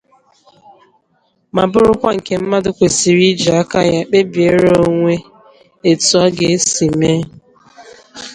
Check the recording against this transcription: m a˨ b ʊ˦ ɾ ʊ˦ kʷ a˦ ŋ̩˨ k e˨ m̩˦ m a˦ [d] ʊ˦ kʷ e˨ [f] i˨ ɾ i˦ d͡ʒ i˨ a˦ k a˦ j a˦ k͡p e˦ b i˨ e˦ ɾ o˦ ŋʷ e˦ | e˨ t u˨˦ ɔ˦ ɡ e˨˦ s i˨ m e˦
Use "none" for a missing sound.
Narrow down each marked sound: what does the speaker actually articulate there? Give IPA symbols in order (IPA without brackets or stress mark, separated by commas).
d, s